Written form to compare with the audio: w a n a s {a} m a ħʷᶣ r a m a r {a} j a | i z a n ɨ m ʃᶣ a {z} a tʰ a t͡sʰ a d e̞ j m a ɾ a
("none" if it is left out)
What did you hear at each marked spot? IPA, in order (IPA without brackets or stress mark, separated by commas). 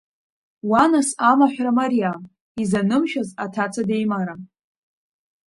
a, i, z